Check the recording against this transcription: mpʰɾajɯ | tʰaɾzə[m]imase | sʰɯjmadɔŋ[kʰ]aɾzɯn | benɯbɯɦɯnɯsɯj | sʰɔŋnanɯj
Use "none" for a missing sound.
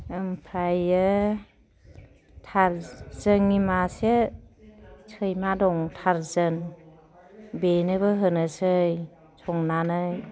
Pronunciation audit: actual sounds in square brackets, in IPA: ŋ, tʰ

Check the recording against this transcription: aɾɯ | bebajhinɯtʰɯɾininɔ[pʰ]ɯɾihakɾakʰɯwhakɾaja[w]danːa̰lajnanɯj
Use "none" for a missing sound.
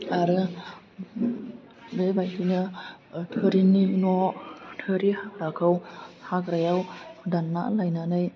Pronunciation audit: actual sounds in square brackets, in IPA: tʰ, w

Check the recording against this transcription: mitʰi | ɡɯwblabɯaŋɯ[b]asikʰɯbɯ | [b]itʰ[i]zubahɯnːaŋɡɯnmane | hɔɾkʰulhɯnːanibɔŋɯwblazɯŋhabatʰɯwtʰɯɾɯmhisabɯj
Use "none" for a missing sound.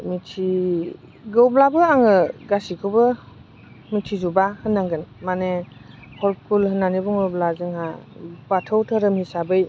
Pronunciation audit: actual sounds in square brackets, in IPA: ɡ, m, i

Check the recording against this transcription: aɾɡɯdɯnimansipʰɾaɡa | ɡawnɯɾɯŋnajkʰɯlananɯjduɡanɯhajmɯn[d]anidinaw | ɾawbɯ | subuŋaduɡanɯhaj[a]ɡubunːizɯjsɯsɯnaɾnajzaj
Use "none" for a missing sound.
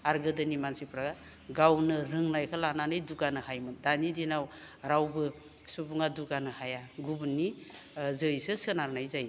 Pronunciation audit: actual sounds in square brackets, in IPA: d, a

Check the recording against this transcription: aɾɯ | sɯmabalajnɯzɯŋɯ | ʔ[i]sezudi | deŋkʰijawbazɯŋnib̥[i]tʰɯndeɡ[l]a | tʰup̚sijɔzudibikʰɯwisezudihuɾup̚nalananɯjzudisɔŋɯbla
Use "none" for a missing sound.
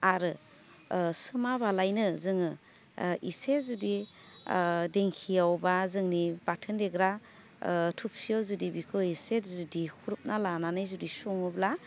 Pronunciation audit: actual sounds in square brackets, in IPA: i, a, ɾ

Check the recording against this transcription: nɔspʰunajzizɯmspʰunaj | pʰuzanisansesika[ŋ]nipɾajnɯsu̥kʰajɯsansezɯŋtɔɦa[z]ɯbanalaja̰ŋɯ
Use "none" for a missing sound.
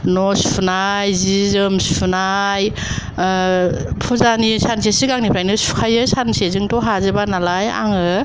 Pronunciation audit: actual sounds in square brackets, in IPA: ŋ, z

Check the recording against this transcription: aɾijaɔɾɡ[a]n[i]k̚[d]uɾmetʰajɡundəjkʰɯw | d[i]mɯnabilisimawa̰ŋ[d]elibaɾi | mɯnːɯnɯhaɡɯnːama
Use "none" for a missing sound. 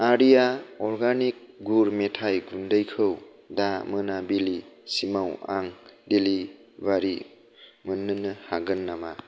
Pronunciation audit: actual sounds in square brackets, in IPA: a, i, ɡ, a, d

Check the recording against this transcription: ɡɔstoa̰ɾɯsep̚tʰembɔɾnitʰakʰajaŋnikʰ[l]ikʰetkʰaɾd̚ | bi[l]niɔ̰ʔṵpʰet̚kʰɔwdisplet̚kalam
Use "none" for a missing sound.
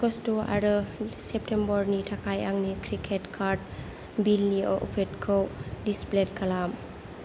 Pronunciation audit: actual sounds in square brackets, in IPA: ɾ, l

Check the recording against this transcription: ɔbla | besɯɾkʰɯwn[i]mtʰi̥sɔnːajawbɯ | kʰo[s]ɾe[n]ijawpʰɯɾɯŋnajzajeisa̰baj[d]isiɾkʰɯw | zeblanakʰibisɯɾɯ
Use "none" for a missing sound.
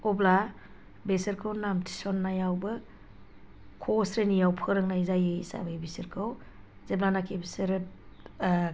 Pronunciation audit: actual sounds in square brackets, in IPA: a, s, n, b

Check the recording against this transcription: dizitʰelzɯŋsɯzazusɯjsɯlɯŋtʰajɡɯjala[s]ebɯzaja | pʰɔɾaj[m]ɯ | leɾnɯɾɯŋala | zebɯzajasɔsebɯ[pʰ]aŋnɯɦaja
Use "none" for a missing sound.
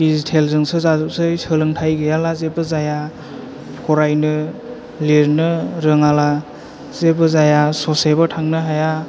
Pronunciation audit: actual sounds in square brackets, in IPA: z, n, tʰ

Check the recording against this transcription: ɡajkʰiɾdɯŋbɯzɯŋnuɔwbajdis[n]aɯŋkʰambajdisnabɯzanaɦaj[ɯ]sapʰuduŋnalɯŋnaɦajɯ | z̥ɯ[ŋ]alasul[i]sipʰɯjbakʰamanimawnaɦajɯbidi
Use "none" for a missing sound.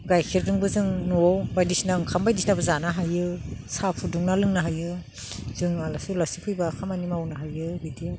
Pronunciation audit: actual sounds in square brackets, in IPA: n, ɯ, ŋ, a

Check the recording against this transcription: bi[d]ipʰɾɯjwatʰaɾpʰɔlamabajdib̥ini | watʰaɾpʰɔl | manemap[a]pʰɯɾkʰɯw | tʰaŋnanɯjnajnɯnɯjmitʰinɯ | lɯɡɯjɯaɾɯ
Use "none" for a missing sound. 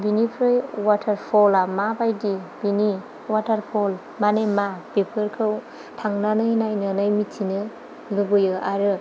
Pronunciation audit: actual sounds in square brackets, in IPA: n, e

